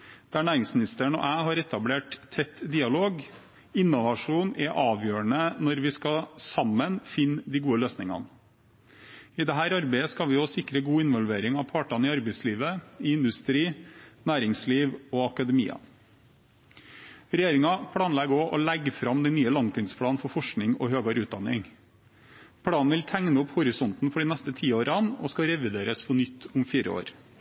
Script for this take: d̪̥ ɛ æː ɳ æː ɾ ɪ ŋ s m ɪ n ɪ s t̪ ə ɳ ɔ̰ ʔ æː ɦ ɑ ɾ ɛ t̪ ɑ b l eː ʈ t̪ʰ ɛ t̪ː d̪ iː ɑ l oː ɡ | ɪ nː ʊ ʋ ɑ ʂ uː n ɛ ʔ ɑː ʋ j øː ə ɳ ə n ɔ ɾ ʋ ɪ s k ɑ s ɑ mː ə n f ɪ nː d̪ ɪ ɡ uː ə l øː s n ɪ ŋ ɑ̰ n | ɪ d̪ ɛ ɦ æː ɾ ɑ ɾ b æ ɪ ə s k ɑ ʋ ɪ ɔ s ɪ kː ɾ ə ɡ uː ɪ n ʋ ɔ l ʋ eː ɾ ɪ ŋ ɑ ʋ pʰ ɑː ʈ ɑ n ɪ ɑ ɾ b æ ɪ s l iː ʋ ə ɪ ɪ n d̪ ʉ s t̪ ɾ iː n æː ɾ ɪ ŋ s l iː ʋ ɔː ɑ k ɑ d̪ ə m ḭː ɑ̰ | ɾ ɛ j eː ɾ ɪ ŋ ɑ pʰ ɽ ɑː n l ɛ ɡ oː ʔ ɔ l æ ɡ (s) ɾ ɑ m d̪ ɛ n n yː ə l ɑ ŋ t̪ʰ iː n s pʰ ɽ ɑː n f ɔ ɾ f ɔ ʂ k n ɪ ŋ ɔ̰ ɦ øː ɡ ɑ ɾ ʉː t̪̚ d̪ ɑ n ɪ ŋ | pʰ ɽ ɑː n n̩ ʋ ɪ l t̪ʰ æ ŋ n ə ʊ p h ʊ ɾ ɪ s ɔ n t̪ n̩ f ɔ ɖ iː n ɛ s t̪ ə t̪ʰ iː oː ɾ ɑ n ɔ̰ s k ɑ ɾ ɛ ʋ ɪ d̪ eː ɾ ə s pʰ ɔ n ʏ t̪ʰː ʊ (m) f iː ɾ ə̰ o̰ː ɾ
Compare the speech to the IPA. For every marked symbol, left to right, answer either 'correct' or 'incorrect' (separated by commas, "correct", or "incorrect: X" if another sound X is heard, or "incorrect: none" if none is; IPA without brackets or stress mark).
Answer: incorrect: f, correct